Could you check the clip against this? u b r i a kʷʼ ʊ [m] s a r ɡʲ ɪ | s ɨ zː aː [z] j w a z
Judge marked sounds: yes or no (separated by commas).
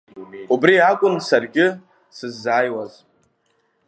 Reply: no, no